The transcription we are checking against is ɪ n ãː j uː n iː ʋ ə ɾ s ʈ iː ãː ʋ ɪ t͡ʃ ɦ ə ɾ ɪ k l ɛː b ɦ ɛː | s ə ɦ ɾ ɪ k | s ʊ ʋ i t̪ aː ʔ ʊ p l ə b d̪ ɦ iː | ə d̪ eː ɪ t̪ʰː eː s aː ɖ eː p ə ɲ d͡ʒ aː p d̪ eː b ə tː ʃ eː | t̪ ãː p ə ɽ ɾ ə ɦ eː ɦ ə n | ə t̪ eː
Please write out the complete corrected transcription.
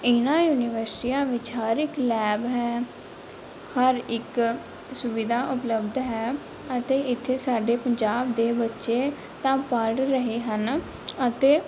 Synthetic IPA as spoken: ɪ n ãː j uː n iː ʋ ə ɾ s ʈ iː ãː ʋ ɪ t͡ʃ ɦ ə ɾ ɪ k l ɛː b ɦ ɛː | h ə ɾ ɪ k | s ʊ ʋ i d̪ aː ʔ ʊ p l ə b d̪ ɦ ɛː | ə t̪ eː ɪ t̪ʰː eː s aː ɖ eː p ə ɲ d͡ʒ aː b d̪ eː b ə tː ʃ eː | t̪ ãː p ə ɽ ɾ ə ɦ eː ɦ ə n | ə t̪ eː